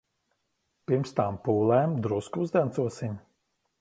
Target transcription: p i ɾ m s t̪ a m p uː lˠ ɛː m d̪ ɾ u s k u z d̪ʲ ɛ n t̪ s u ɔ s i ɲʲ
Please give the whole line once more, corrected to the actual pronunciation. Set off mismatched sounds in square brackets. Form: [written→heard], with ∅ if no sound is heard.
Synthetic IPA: p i ɾ m s t̪ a m p uː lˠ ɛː m d̪ ɾ u s k u z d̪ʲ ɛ n t̪ s u ɔ s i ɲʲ

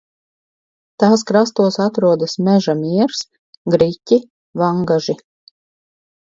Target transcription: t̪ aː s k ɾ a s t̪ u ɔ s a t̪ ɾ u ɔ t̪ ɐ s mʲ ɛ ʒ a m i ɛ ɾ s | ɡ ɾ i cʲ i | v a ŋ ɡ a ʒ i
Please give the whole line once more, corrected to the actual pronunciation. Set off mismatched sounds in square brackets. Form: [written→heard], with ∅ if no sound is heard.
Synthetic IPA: t̪ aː s k ɾ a s t̪ u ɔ s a t̪ ɾ u ɔ [t̪→d̪] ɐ s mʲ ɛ ʒ a m i ɛ ɾ s | ɡ ɾ i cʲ i | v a ŋ ɡ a ʒ i

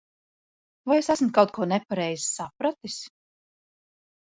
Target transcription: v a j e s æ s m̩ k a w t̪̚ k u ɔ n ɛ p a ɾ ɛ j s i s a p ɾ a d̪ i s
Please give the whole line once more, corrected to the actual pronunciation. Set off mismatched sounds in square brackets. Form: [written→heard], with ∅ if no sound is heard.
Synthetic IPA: v a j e s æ s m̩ k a w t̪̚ k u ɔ n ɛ p a ɾ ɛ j [s→z] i s a p ɾ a [d̪→t̪] i s

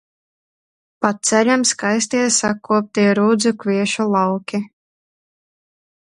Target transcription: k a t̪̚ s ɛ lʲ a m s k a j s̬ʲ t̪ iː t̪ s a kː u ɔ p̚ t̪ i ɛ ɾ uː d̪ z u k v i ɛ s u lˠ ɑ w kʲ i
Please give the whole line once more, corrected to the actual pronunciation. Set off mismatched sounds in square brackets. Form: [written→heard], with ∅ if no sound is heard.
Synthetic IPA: [k→p] a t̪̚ s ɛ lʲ a m s k a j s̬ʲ t̪ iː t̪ s a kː u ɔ p̚ t̪ i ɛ ɾ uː d̪ z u k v i ɛ [s→ʃ] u lˠ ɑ w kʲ i

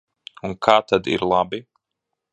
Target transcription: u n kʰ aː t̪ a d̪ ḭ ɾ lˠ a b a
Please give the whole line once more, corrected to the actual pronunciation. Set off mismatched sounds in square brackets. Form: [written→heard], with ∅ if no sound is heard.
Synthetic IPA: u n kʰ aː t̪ a d̪ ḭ ɾ lˠ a b [a→i]

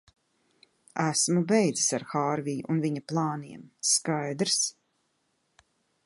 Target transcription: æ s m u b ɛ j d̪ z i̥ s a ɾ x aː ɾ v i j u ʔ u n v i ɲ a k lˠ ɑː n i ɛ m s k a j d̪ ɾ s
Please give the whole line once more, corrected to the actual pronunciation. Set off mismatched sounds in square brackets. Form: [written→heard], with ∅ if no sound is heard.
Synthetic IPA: æ s m u b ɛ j d̪ z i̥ s a ɾ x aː ɾ v i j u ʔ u n v i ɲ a [k→p] lˠ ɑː n i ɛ m s k a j d̪ ɾ s

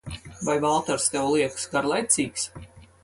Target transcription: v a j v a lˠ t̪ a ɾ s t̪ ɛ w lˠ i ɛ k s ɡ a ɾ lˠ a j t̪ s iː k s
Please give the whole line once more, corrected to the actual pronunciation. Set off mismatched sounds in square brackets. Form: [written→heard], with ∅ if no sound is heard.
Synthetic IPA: v a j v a lˠ t̪ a ɾ s t̪ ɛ w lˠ i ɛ k s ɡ a ɾ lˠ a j t̪ s iː k s

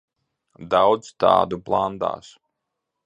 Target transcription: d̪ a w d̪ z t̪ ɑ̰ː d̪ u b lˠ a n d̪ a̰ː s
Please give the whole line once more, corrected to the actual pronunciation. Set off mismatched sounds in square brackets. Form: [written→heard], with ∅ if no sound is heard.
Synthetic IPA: d̪ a w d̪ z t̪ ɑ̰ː d̪ u [b→p] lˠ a n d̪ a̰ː s

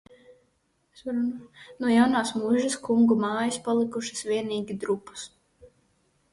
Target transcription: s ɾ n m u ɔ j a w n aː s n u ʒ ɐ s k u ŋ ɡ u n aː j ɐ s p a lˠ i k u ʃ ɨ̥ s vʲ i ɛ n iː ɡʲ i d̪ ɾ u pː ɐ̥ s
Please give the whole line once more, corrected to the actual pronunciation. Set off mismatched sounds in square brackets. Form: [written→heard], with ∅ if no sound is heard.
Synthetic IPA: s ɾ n [m→n] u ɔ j a w n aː s [n→m] u ʒ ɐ s k u ŋ ɡ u [n→m] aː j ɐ s p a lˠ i k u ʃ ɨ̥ s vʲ i ɛ n iː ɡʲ i d̪ ɾ u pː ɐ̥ s

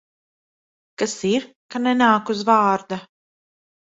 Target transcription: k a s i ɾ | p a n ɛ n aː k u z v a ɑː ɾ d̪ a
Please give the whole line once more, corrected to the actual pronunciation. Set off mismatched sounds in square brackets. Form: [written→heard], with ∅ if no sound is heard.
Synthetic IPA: k a s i ɾ | [p→k] a n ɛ n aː k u z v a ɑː ɾ d̪ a

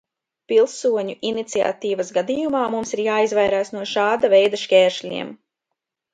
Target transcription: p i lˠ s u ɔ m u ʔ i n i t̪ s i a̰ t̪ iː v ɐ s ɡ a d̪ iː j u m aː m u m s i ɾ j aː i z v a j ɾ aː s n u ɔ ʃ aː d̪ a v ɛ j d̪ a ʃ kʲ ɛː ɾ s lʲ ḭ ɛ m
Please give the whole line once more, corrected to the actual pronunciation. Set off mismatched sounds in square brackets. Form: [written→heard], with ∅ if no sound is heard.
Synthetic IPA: p i lˠ s u ɔ [m→ɲ] u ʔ i n i t̪ s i a̰ t̪ iː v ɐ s ɡ a d̪ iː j u m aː m u m s i ɾ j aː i z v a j ɾ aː s n u ɔ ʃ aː d̪ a v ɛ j d̪ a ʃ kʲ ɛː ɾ [s→ʃ] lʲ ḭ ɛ m

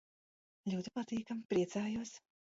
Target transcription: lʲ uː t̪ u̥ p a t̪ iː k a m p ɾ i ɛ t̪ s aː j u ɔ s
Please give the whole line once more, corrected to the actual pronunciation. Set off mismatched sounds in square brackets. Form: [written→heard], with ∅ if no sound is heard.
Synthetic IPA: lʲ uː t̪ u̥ p a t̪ iː k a m p ɾ i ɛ t̪ s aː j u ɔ s

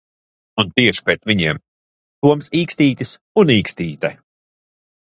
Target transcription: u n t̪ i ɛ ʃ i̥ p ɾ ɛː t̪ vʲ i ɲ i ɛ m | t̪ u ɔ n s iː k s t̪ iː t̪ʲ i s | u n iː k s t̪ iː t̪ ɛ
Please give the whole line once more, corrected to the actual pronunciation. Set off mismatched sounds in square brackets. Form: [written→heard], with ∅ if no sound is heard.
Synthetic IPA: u n t̪ i ɛ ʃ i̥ p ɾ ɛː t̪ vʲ i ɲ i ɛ m | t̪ u ɔ [n→m] s iː k s t̪ iː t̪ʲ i s | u n iː k s t̪ iː t̪ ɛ

